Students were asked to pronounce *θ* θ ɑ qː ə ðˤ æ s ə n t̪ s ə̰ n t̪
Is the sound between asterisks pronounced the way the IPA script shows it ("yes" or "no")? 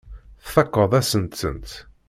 yes